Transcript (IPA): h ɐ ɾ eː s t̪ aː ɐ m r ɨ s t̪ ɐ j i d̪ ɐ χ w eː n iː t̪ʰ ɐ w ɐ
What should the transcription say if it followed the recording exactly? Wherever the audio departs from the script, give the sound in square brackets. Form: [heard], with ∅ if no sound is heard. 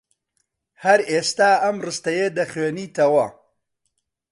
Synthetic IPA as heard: h ɐ ɾ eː s t̪ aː ɐ m r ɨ s t̪ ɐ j [e] d̪ ɐ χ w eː n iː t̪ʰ ɐ w ɐ